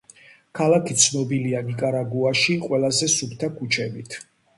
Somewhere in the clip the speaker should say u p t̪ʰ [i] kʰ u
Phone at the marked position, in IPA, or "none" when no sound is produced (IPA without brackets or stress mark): a